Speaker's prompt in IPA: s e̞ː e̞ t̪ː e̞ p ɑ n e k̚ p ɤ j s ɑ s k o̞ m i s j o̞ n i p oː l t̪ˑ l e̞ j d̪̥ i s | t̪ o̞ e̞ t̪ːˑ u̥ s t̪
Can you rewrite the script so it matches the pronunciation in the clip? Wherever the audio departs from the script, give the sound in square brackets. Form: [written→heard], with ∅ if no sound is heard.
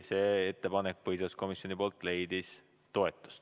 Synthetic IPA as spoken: s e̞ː e̞ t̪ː e̞ p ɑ n e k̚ p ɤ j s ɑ s k o̞ m i s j o̞ n i p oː l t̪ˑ l e̞ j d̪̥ i s | t̪ o̞ e̞ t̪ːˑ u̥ s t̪